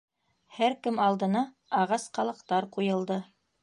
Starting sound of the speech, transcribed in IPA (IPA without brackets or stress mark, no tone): h